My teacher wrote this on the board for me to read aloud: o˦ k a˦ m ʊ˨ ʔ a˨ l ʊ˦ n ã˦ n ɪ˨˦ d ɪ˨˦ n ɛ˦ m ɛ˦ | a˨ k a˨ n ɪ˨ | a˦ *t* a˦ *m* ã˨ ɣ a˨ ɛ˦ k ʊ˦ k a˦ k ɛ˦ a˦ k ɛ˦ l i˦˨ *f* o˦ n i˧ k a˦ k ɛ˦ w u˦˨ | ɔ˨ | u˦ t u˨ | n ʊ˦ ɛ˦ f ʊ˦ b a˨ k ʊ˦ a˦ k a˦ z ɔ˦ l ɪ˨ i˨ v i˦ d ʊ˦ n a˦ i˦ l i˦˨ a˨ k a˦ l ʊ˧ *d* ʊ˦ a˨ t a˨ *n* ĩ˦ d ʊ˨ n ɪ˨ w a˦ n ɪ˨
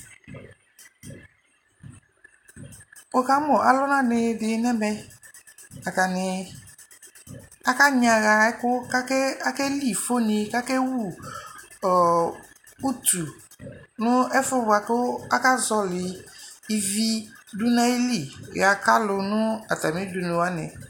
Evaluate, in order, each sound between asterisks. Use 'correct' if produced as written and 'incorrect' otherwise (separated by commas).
incorrect, incorrect, correct, incorrect, incorrect